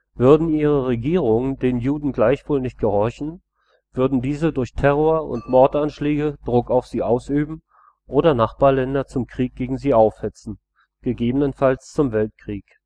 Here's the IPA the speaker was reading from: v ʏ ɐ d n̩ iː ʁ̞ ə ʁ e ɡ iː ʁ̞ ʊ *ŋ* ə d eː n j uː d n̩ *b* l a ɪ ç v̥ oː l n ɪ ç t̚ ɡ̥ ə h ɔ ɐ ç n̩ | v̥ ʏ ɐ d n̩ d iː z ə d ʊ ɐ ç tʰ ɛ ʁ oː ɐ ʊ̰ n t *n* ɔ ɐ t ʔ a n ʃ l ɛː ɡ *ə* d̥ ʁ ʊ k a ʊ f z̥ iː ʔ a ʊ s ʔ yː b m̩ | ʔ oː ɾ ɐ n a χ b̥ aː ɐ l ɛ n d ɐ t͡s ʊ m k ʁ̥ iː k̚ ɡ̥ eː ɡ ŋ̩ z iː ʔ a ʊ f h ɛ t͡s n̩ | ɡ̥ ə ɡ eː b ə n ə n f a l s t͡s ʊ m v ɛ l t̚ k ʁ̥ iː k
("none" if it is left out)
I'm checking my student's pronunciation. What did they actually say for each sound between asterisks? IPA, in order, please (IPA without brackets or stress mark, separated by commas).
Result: ŋ, ɡ, m, ə